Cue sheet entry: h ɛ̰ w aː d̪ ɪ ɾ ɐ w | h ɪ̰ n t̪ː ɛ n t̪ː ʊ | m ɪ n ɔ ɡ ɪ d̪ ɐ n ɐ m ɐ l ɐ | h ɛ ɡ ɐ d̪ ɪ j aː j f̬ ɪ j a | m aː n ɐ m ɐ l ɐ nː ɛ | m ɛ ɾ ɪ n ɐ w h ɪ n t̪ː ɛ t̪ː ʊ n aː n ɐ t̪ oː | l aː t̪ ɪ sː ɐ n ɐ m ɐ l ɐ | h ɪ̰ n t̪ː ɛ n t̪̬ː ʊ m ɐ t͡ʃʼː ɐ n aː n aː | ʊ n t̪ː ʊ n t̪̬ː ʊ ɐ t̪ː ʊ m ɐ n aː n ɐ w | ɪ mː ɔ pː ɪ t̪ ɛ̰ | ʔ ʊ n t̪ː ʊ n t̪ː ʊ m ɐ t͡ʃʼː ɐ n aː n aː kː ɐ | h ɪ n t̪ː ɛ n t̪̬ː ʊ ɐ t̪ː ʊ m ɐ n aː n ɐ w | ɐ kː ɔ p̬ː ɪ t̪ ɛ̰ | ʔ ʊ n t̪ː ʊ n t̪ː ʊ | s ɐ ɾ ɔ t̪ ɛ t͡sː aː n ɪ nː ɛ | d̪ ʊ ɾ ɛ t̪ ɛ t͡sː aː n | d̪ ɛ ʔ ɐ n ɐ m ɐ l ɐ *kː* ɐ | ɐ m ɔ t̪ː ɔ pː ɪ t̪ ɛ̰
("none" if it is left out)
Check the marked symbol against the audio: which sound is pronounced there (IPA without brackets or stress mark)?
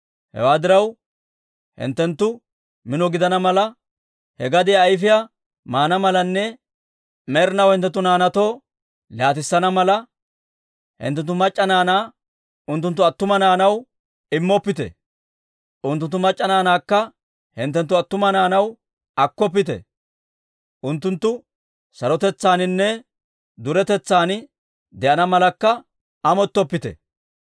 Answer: kː